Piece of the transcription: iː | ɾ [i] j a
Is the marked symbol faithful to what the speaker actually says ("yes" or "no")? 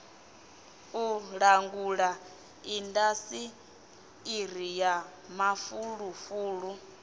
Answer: yes